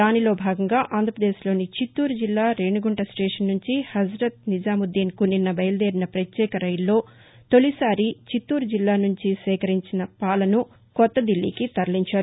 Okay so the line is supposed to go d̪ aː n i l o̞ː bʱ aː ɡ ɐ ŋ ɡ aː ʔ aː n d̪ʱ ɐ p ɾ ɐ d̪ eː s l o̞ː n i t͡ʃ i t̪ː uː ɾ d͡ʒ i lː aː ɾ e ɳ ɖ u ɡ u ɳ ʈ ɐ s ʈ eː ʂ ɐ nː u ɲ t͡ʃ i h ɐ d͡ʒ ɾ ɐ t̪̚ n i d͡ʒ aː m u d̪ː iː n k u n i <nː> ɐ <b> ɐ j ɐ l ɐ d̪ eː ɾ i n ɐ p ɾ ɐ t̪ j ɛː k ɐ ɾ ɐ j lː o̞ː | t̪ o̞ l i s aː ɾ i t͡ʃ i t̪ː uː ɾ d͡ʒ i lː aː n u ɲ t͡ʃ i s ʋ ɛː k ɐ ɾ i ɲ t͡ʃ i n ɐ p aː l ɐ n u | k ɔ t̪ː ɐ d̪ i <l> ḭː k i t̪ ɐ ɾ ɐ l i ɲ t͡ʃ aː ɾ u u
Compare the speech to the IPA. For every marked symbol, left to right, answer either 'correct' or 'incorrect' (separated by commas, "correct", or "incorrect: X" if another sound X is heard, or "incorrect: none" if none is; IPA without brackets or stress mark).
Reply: correct, correct, incorrect: lː